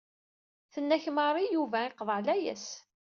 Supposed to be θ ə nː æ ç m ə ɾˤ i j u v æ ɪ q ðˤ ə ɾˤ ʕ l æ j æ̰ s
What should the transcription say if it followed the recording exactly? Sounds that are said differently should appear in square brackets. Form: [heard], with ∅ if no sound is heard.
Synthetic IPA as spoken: θ ə nː æ ç m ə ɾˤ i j u v æ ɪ q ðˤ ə [∅] ʕ l æ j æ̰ s